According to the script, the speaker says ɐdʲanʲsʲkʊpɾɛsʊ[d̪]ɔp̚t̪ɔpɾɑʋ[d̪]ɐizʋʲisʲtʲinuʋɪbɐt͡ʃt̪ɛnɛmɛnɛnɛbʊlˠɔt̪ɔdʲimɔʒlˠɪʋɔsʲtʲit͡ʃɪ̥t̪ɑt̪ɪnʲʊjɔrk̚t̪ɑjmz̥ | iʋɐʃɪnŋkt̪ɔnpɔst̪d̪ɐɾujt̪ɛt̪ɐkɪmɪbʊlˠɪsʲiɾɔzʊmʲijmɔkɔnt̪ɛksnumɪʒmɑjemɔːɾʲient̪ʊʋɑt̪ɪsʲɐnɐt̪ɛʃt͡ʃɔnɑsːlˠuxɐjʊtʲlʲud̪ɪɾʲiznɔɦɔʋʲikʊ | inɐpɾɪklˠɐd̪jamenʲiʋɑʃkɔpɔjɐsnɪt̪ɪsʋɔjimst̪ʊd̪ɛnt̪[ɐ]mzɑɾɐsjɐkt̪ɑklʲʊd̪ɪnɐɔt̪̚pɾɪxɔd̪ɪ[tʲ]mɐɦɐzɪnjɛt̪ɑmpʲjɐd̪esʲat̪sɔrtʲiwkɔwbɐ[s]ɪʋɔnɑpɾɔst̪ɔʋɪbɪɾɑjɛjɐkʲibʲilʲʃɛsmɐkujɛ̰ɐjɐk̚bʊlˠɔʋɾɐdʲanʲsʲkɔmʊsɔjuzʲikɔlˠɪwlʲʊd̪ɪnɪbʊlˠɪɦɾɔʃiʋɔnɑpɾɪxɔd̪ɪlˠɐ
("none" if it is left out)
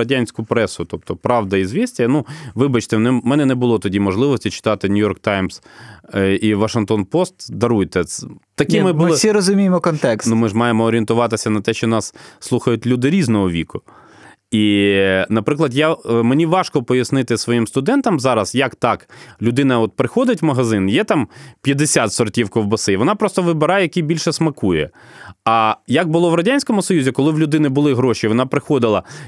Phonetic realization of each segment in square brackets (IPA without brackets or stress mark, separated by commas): t̪, d̪, ɐ, tʲ, s